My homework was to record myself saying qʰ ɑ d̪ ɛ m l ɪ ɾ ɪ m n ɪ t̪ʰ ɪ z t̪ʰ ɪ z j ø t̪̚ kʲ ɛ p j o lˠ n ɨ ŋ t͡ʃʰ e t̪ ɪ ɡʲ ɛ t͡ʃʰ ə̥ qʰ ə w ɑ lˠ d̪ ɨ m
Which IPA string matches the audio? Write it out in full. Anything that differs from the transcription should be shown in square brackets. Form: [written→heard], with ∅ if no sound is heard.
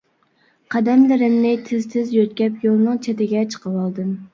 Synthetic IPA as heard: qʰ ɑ d̪ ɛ m l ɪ ɾ ɪ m n ɪ t̪ʰ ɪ z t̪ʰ ɪ z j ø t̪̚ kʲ ɛ p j o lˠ n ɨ ŋ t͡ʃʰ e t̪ ɪ ɡʲ ɛ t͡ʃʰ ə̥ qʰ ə w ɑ lˠ d̪ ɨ m